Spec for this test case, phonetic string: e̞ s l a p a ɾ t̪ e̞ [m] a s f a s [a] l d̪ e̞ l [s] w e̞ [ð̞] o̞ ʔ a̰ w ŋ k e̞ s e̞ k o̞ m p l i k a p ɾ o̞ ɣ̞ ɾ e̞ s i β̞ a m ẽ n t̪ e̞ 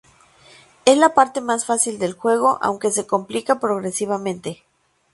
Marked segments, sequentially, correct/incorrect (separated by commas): correct, incorrect, incorrect, incorrect